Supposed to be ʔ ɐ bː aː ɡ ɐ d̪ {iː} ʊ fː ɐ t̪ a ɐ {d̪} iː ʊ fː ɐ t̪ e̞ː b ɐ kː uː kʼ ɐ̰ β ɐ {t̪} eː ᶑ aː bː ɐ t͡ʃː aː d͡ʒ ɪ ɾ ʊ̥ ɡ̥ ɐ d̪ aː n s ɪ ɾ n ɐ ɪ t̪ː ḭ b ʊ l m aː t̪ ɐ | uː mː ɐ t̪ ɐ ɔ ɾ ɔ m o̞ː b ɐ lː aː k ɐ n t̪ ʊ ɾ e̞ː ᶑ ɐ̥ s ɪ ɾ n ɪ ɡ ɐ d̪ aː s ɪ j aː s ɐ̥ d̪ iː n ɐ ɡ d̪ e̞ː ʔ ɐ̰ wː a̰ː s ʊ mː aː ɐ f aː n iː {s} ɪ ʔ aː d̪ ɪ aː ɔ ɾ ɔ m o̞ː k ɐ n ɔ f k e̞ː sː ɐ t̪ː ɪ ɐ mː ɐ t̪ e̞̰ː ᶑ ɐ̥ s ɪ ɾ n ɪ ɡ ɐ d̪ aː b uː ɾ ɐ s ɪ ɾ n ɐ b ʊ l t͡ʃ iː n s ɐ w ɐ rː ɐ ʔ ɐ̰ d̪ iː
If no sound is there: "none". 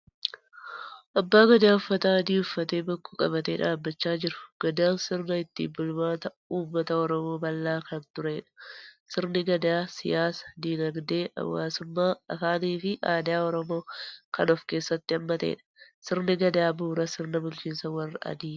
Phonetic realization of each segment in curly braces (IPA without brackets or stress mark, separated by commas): aː, d̪, t̪, f